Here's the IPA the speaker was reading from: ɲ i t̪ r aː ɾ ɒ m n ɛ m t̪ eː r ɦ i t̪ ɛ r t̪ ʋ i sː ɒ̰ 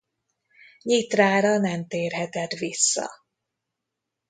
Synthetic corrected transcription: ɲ i t̪ r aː ɾ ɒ n ɛ m t̪ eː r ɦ ɛ t̪ ɛ t̪ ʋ i sː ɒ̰